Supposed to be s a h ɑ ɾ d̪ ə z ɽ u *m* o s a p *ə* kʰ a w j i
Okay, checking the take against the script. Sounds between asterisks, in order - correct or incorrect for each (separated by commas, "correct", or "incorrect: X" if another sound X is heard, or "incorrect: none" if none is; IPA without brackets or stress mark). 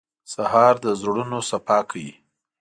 incorrect: n, incorrect: ɑ